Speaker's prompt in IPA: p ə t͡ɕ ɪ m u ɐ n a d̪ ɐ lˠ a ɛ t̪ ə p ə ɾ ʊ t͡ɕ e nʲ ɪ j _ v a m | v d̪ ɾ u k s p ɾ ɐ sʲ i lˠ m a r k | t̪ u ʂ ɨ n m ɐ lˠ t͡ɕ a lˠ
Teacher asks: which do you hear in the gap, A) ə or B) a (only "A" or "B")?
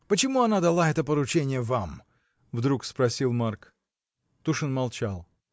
A